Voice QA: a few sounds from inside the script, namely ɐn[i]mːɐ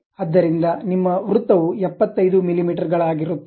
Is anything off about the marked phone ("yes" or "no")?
no